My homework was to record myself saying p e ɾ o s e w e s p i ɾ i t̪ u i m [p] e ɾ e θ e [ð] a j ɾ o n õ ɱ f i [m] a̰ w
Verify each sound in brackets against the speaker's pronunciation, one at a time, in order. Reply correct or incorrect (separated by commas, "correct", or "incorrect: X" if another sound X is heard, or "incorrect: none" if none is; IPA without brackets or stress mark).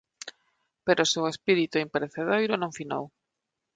correct, correct, incorrect: n